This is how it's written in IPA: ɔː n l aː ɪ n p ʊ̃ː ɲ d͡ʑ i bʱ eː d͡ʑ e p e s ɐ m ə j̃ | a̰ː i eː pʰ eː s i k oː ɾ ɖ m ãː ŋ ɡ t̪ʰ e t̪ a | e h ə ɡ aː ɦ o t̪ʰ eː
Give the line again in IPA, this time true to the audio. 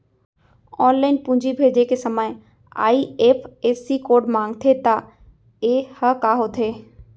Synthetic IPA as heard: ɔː n l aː ɪ n p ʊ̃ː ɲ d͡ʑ i bʱ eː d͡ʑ e k e s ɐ m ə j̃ | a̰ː i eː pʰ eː s i k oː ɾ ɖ m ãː ŋ ɡ t̪ʰ e t̪ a | e h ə k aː ɦ o t̪ʰ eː